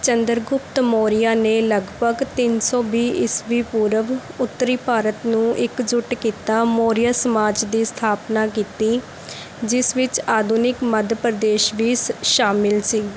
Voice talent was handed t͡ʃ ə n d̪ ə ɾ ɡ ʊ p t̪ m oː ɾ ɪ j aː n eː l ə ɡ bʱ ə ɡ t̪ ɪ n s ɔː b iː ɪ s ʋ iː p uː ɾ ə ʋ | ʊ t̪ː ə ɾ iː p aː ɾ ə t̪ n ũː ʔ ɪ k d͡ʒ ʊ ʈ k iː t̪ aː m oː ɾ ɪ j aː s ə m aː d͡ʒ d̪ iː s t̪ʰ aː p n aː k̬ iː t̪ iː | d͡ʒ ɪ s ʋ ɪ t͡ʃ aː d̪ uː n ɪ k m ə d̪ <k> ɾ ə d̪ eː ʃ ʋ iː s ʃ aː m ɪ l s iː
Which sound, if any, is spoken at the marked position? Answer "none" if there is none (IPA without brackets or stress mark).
p